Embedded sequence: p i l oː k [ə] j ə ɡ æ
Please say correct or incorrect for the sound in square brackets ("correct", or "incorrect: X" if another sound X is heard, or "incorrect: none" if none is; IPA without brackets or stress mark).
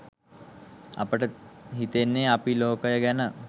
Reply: correct